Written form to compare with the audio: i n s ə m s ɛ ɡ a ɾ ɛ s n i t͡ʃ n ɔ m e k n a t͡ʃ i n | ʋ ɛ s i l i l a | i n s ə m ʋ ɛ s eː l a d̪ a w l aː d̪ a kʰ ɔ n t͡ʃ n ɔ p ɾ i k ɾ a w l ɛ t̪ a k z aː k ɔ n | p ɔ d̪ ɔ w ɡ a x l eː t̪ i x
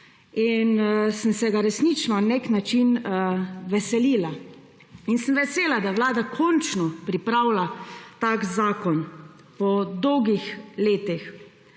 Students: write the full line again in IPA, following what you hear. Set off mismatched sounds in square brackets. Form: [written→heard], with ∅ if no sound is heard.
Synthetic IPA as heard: i n s ə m s ɛ ɡ a ɾ ɛ s n i t͡ʃ n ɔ [m→n] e k n a t͡ʃ i n | ʋ ɛ s [i→ɛ] l i l a | i n s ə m ʋ ɛ s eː l a d̪ a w l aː d̪ a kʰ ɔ n t͡ʃ n ɔ p ɾ i [k→p] ɾ a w l [ɛ→a] t̪ a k z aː k ɔ n | p ɔ d̪ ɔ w ɡ [a→i] x l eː t̪ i x